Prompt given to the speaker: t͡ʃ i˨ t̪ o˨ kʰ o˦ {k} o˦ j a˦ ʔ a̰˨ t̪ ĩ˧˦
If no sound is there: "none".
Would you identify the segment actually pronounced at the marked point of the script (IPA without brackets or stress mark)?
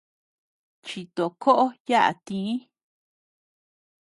ʔ